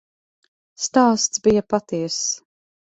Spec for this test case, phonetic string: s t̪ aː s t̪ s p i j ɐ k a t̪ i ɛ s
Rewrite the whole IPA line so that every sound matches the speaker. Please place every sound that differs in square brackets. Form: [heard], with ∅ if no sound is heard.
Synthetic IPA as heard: s t̪ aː s t̪ s [b] i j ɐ [p] a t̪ i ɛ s